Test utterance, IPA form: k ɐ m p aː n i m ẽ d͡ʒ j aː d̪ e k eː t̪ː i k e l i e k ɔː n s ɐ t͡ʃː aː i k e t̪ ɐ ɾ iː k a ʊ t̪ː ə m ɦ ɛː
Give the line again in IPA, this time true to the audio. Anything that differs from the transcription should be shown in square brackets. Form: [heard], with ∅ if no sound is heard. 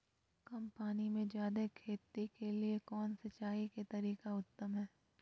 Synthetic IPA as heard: k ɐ m p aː n i m ẽ d͡ʒ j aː d̪ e [kʰ] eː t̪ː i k e l i e k ɔː n s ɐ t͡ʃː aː i k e t̪ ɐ ɾ iː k a ʊ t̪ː ə m ɦ ɛː